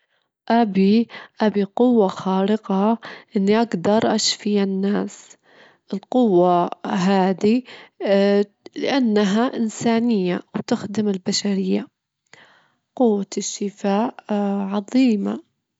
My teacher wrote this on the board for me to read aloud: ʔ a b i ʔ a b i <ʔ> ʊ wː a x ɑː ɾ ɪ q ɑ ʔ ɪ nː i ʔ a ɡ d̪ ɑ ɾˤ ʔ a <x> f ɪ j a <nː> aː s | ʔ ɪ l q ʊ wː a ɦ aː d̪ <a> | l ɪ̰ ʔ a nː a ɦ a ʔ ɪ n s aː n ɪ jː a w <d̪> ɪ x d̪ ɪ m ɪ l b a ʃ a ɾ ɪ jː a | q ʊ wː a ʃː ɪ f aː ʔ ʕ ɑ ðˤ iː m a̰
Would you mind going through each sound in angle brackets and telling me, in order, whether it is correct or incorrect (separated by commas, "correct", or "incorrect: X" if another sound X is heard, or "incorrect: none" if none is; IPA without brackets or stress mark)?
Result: incorrect: q, incorrect: ʃ, correct, incorrect: i, incorrect: t̪